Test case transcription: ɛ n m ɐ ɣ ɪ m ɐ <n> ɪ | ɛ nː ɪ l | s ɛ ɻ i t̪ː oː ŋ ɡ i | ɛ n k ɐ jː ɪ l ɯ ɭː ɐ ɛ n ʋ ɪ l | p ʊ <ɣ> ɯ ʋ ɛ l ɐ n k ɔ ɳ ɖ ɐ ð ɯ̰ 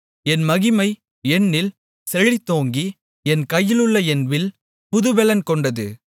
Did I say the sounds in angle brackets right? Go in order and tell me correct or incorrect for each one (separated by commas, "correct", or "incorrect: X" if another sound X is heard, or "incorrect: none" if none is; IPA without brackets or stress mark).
incorrect: none, incorrect: ð